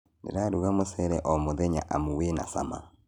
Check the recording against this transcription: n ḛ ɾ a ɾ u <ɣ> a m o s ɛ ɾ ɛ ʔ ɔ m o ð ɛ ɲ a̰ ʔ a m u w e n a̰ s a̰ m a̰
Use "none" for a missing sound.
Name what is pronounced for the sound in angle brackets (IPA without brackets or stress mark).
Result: ɣ